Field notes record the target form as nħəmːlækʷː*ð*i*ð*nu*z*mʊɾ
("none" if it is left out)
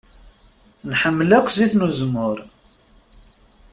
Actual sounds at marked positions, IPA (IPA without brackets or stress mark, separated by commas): z, θ, z